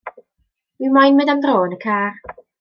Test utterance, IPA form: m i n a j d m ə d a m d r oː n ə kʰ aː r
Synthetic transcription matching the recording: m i m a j n m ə d a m d r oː n ə kʰ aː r